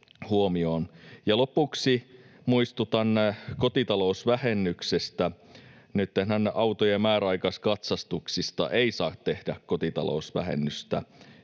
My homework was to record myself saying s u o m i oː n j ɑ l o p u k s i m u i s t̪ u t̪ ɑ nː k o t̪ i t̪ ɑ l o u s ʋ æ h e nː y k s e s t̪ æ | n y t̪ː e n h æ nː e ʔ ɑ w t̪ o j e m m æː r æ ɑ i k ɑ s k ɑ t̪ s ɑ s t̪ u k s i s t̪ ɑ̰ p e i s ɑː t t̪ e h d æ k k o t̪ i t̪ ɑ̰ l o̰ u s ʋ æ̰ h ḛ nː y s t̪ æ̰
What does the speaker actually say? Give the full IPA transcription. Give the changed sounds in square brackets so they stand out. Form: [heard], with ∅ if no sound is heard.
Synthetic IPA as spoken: [h] u o m i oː n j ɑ l o p u k s i m u i s t̪ u t̪ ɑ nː k o t̪ i t̪ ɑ l o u s ʋ æ h e nː y k s e s t̪ æ | n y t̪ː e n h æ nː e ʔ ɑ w t̪ o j e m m æː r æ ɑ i k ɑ s k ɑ t̪ s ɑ s t̪ u k s i s t̪ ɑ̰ [ʔ] e i s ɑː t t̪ e h d æ k k o t̪ i t̪ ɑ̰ l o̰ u s ʋ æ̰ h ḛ nː y s t̪ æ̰